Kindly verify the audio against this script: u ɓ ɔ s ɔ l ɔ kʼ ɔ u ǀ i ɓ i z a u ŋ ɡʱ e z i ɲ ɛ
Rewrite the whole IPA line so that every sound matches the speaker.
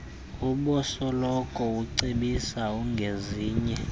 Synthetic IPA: u ɓ ɔ s ɔ l ɔ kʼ ɔ u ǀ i ɓ i s a u ŋ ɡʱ e z iː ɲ ɛ